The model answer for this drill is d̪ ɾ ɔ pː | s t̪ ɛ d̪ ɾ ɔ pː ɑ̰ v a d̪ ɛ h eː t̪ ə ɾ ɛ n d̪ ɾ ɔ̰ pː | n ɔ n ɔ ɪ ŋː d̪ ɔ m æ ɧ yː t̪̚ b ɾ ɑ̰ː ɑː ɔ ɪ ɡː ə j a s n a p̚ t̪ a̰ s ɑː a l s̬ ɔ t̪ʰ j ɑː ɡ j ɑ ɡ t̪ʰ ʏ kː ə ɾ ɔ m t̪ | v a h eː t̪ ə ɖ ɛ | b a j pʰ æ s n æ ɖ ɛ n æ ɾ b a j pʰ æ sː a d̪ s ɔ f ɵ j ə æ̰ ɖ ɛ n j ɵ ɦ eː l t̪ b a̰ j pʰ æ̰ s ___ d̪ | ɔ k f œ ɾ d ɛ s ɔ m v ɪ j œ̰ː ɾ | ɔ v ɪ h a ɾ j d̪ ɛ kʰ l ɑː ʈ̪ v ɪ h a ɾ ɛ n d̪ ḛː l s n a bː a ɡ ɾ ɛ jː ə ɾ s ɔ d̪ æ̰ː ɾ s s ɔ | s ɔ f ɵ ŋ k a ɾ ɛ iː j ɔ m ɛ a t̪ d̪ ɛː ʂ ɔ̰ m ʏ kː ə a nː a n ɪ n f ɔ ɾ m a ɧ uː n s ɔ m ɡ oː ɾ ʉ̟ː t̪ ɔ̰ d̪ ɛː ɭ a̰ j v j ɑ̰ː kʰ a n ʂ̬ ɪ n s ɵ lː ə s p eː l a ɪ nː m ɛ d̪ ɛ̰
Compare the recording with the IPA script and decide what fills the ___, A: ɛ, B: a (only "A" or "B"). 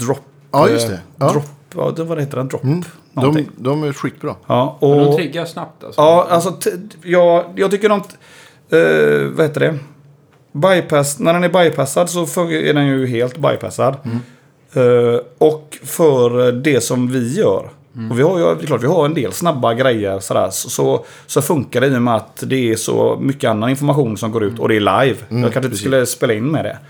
B